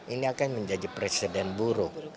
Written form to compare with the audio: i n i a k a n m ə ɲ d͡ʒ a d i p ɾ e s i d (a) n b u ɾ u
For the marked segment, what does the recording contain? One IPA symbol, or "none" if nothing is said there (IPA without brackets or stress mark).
ɛ